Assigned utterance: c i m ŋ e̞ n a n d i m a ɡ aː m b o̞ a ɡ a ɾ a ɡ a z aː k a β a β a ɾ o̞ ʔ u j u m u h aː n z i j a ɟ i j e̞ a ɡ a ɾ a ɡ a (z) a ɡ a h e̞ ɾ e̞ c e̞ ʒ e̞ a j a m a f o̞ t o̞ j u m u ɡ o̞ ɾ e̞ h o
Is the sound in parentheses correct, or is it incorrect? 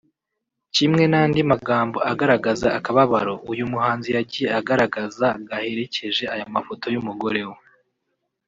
correct